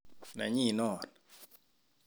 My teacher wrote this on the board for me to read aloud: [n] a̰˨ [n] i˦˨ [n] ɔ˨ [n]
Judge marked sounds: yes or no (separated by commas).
yes, no, yes, yes